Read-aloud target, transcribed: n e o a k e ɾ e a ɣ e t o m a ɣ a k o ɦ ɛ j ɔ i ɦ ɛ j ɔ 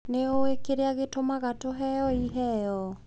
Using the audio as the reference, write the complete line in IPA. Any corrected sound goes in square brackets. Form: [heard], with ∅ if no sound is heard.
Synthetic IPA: n e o [e] k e ɾ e a ɣ e t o m a ɣ a [t] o ɦ ɛ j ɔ i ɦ ɛ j ɔ